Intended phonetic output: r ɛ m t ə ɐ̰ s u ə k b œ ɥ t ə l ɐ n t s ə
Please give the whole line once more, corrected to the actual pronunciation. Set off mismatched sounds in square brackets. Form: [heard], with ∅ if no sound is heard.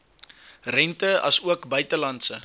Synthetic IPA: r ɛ [n] t ə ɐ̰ s u ə k b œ ɥ t ə l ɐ n t s ə